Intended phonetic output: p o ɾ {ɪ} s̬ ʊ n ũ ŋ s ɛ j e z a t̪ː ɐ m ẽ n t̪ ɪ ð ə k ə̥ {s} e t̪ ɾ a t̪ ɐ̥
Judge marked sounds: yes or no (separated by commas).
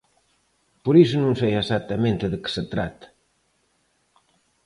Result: no, yes